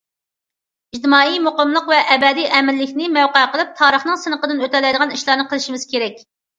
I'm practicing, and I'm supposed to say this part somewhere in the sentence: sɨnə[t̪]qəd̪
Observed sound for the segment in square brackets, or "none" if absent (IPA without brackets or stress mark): none